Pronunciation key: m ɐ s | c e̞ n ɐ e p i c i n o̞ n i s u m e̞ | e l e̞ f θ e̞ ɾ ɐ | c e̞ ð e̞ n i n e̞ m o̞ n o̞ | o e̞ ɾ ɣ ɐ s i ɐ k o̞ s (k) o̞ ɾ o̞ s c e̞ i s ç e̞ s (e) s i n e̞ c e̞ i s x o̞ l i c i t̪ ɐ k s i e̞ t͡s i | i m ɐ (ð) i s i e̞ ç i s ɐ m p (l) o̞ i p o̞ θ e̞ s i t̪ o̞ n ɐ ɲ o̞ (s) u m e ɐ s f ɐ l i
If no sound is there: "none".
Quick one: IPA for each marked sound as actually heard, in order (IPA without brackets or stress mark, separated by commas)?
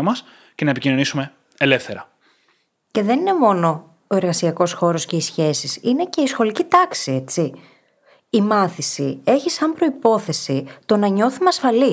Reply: x, i, θ, ɾ, θ